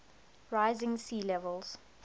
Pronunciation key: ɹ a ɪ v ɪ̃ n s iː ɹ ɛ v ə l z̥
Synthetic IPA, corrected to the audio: ɹ a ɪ z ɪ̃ ŋ s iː l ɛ v ə l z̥